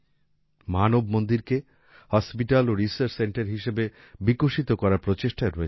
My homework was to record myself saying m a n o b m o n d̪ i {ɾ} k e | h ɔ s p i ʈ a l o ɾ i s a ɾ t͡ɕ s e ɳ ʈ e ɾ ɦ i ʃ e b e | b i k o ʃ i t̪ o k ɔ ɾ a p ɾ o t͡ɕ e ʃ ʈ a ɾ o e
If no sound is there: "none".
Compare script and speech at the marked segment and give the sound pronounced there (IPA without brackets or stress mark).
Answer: ɾ